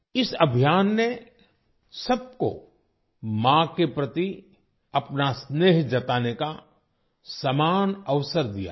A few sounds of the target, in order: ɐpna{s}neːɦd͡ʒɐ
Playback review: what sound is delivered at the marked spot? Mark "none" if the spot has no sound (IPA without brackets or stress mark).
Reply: s